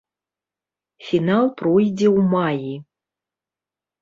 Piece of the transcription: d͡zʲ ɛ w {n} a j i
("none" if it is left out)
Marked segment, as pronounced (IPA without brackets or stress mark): m